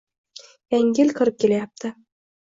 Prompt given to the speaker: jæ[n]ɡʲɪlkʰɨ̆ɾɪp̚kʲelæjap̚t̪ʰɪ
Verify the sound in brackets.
incorrect: ŋ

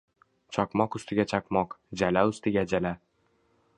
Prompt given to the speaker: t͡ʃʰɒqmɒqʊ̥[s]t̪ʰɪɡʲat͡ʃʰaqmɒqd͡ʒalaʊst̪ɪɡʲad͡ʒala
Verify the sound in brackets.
correct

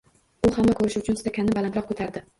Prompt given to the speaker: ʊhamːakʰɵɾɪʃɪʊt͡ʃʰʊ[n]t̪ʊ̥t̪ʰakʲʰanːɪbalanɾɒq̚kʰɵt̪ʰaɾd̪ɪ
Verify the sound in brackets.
correct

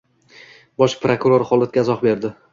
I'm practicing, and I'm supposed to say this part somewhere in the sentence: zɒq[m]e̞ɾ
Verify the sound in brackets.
incorrect: b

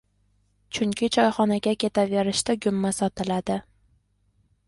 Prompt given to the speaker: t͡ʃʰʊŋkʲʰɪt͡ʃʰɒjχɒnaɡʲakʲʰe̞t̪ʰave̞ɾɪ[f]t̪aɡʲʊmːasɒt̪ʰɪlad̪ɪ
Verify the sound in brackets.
incorrect: ʃ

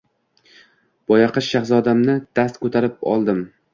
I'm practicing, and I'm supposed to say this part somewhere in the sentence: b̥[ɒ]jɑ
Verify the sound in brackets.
correct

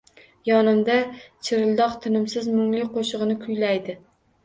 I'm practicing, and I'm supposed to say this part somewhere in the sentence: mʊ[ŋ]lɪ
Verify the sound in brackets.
correct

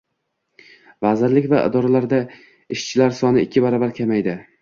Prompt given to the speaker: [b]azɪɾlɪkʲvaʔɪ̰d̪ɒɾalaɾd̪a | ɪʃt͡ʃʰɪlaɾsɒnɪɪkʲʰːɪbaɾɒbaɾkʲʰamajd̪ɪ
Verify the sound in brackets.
incorrect: v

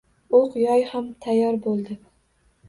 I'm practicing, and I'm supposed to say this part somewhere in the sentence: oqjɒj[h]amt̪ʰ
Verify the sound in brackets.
correct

